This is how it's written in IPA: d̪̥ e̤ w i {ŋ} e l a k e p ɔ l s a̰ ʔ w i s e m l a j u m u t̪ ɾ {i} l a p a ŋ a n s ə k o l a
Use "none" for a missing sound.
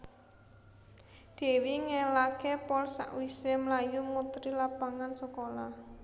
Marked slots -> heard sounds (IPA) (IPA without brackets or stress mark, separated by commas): ŋ, i